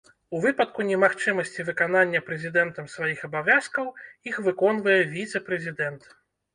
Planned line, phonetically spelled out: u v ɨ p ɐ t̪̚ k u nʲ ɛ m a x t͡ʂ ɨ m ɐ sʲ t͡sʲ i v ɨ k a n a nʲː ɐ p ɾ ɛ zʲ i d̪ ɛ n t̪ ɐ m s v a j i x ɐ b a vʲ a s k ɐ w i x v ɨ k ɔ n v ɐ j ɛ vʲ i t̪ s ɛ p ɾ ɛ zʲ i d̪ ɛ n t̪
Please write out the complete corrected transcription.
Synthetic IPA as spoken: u v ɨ p ɐ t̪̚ k u nʲ ɛ m a x t͡ʂ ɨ m ɐ sʲ t͡sʲ i v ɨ k a n a nʲː ɐ p ɾ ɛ zʲ i d̪ ɛ n t̪ ɐ m s v a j i x ɐ b a vʲ a s k ɐ w i x v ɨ k ɔ n v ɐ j ɛ vʲ i t̪ s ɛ p ɾ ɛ zʲ i d̪ ɛ n t̪